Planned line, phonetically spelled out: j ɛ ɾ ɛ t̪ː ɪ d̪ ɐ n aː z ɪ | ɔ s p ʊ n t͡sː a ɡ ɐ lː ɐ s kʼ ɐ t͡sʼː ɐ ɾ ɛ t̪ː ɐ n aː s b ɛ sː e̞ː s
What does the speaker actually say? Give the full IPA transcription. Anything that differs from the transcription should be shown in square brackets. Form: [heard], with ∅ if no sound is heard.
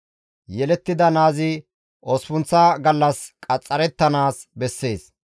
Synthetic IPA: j ɛ [l] ɛ t̪ː ɪ d̪ ɐ n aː z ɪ | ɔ s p ʊ n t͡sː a ɡ ɐ lː ɐ s kʼ ɐ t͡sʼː ɐ ɾ ɛ t̪ː ɐ n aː s b ɛ sː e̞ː s